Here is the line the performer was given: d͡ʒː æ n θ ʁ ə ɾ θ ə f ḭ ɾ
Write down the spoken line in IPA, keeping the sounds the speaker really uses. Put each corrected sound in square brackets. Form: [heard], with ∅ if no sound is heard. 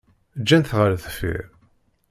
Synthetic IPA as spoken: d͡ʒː æ n θ ʁ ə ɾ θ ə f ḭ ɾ